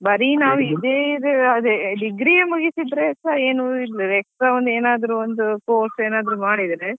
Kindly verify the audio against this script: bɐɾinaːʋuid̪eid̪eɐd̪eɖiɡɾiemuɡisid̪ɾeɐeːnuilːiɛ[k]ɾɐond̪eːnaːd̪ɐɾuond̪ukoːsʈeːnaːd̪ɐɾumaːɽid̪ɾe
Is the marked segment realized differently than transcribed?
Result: no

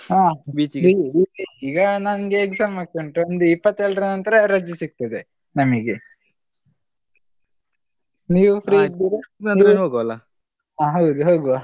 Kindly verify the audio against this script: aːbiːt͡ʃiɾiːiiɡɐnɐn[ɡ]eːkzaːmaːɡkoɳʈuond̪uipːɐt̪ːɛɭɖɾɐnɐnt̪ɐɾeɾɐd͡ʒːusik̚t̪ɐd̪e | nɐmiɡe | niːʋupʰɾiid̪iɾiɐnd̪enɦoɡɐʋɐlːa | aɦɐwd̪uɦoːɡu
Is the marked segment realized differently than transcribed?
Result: no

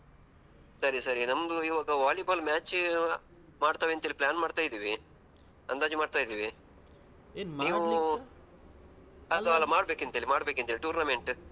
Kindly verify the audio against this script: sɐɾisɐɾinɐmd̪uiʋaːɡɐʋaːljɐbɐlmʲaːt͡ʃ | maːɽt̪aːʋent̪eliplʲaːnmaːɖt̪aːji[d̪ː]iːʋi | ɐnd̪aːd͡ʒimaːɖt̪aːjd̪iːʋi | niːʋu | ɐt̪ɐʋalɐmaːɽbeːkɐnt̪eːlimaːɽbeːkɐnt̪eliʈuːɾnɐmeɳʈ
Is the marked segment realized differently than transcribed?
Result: yes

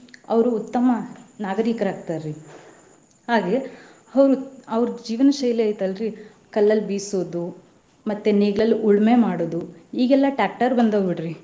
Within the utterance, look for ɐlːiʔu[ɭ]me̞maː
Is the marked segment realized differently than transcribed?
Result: no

